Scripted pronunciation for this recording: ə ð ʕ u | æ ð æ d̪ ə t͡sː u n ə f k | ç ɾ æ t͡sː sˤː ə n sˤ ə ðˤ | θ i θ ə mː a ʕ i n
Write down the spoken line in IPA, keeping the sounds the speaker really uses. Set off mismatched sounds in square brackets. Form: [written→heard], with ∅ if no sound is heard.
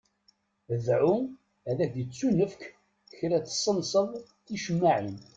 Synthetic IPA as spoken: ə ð ʕ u | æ ð æ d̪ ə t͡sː u n ə f k | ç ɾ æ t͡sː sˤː ə n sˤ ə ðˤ | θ i [θ→ʃ] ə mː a ʕ i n